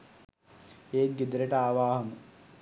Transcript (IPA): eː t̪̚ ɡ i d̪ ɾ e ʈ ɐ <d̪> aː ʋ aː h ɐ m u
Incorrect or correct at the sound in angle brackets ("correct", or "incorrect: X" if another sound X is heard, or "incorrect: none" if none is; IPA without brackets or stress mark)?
incorrect: none